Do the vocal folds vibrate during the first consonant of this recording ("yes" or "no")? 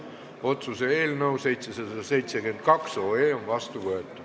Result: no